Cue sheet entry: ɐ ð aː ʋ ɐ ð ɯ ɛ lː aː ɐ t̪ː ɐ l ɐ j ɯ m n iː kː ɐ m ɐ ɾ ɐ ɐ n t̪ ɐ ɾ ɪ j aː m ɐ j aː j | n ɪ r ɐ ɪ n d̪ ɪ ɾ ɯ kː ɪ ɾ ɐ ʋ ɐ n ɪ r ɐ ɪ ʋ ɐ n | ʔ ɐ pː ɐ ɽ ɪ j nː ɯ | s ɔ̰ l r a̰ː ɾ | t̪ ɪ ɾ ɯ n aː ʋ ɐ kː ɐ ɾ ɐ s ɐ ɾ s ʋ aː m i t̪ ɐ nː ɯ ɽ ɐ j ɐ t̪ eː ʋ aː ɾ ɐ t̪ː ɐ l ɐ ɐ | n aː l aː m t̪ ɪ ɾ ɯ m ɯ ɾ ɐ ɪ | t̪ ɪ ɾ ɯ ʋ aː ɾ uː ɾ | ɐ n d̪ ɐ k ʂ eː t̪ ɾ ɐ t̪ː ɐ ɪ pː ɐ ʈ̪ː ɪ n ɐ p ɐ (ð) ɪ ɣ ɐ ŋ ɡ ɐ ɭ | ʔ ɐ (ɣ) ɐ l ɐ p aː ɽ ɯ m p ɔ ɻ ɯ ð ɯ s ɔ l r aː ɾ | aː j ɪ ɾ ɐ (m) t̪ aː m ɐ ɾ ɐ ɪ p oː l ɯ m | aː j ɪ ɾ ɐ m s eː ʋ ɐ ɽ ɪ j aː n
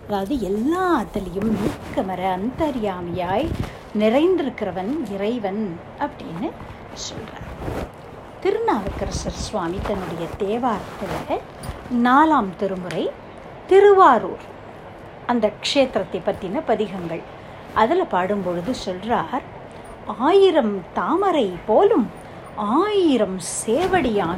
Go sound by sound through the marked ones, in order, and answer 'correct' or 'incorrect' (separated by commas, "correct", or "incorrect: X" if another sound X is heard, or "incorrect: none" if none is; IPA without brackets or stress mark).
correct, incorrect: ð, correct